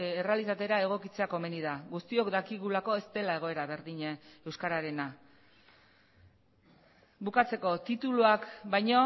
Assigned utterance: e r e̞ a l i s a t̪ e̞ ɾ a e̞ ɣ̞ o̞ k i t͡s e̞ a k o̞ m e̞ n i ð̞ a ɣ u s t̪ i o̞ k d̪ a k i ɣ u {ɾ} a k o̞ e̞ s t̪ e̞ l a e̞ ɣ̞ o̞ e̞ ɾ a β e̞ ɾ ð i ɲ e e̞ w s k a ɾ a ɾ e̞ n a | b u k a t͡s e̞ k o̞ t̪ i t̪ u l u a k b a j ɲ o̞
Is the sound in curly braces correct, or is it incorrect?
incorrect